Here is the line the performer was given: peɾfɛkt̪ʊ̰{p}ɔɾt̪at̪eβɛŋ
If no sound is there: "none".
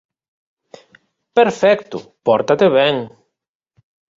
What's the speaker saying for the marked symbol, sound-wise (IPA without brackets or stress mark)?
p